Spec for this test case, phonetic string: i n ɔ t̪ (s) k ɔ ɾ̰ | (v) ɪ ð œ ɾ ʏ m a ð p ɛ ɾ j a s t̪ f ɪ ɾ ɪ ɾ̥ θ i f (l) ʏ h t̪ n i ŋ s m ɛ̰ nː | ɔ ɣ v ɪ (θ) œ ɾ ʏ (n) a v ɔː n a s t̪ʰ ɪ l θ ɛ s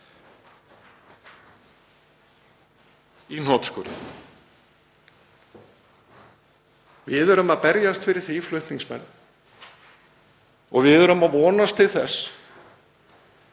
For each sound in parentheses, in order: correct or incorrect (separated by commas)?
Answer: correct, correct, correct, incorrect, incorrect